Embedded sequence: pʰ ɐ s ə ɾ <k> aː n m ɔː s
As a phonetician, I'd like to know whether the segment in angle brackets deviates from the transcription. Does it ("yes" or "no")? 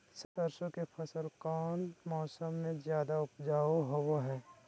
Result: no